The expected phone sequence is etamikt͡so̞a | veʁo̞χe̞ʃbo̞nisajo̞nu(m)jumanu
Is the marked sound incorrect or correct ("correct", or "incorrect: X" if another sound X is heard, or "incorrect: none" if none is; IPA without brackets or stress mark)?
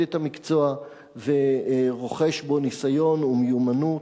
correct